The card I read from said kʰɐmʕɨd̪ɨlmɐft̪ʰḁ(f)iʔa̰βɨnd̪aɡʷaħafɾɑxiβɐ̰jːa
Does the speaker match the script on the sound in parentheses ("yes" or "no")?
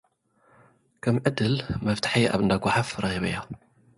no